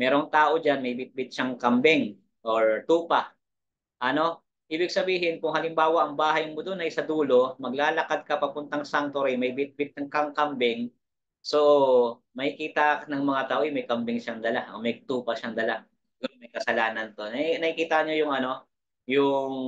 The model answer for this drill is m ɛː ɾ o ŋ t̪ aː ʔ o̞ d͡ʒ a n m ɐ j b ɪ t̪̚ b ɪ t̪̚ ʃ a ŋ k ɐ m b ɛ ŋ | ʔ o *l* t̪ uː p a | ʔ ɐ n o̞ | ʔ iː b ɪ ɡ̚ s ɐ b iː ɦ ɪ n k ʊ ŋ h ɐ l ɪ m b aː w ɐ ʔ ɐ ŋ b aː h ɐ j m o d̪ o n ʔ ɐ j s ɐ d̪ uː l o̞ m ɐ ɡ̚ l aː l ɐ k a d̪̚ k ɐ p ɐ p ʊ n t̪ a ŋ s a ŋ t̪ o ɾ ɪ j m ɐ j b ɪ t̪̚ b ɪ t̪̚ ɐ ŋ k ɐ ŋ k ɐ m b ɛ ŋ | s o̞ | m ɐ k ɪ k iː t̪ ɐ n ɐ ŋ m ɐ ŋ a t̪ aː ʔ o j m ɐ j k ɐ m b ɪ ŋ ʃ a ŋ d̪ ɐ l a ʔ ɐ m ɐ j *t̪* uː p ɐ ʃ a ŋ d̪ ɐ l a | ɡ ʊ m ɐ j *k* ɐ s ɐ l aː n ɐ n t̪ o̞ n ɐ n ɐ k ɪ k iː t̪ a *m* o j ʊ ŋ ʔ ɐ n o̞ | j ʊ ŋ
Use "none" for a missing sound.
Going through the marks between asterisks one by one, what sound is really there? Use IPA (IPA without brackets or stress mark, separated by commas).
ɹ, t̪, k, ɲ